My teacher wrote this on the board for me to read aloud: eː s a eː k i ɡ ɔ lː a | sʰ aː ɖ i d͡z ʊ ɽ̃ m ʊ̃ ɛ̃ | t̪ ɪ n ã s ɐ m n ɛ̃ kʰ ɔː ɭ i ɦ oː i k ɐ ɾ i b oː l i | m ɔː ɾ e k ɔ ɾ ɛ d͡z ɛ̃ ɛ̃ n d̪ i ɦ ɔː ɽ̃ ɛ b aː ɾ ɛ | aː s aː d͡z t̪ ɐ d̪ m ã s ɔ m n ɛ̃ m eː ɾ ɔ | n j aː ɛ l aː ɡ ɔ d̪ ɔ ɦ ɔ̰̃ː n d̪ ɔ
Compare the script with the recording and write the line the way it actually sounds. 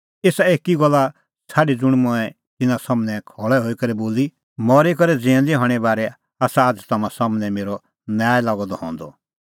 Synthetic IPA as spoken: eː s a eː k i ɡ ɔ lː a | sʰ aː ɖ i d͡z ʊ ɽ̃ m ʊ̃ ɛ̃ | t̪ ɪ n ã s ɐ m n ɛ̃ kʰ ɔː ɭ ɛ ɦ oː i k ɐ ɾ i b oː l i | m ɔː ɾ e k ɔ ɾ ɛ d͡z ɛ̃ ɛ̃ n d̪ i ɦ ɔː ɽ̃ ɛ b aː ɾ ɛ | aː s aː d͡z t̪ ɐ m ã s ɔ m n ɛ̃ m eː ɾ ɔ | n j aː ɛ l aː ɡ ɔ d̪ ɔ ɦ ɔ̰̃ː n d̪ ɔ

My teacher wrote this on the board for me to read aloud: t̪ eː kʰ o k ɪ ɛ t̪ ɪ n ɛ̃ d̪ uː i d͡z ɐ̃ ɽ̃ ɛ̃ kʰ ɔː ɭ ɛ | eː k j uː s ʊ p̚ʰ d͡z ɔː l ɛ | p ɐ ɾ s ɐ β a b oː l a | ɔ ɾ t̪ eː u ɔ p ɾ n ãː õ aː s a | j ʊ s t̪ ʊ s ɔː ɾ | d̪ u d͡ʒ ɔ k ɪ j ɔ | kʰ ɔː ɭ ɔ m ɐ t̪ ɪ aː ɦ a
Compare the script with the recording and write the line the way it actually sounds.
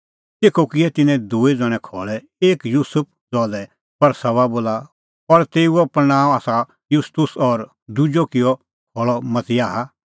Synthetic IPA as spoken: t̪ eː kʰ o k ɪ ɛ t̪ ɪ n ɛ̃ d̪ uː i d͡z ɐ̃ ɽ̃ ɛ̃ kʰ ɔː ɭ ɛ | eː k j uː s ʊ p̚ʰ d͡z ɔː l ɛ | p ɐ ɾ s ɐ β a b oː l a | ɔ ɾ t̪ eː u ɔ p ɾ n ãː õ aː s a | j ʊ s t̪ ʊ s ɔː ɾ | d̪ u d͡ʒ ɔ k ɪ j ɔ | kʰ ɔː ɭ ɔ m ɐ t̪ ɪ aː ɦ a

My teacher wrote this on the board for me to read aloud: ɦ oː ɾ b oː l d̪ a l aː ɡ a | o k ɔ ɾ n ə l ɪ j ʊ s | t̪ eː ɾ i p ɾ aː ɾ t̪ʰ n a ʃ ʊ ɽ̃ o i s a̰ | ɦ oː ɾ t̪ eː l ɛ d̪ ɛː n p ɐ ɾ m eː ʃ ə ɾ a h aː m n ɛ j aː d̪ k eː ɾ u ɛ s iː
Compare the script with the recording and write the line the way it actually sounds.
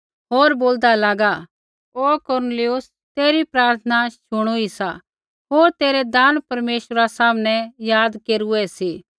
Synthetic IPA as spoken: ɦ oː ɾ b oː l d̪ a l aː ɡ a | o k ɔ ɾ n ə l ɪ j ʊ s | t̪ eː ɾ i p ɾ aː ɾ t̪ʰ n a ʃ ʊ ɽ̃ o i s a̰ | ɦ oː ɾ t̪ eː ɾ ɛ d̪ aː n p ɐ ɾ m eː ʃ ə ɾ a s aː m n ɛ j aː d̪ k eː ɾ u ɛ s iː

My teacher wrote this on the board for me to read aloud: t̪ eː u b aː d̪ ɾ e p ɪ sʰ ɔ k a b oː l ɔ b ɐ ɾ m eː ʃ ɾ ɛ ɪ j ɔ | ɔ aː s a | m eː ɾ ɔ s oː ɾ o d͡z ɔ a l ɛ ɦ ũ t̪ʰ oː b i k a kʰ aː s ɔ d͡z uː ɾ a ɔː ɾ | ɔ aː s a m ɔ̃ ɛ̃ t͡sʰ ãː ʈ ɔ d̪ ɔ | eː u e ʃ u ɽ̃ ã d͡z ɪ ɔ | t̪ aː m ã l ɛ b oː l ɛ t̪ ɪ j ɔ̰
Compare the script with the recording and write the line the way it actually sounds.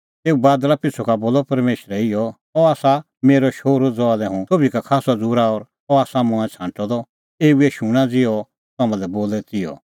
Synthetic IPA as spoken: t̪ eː u b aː d̪ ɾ a p ɪ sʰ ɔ k a b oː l ɔ p ɐ ɾ m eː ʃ ɾ ɛ ɪ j ɔ | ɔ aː s a | m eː ɾ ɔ ʃ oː ɾ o d͡z ɔ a l ɛ ɦ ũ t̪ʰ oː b i k a kʰ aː s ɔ d͡z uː ɾ a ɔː ɾ | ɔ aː s a m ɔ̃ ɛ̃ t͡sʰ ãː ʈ ɔ d̪ ɔ | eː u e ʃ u ɽ̃ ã d͡z ɪ ɔ | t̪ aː m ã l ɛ b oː l ɛ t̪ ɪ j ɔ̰

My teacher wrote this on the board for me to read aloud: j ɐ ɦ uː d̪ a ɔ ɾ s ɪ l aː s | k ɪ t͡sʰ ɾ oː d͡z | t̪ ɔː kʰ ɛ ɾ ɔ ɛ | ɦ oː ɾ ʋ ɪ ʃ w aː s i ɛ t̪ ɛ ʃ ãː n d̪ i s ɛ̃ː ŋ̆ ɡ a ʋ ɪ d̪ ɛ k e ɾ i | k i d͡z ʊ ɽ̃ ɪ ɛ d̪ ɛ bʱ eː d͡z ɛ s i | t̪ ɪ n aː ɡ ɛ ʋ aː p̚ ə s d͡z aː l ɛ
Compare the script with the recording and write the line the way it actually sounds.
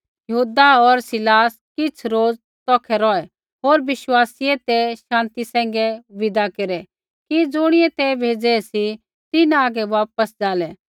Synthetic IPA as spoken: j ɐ ɦ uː d̪ a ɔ ɾ s ɪ l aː s | k ɪ t͡sʰ ɾ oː d͡z | t̪ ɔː kʰ ɛ ɾ ɔ ɛ | ɦ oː ɾ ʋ ɪ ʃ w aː s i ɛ t̪ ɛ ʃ ãː n t̪ i s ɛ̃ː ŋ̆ ɡ ɛ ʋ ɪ d̪ a k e ɾ ɛ | k i d͡z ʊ ɽ̃ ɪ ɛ t̪ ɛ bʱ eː d͡z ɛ s i | t̪ ɪ n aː ɡ ɛ ʋ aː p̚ ə s d͡z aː l ɛ

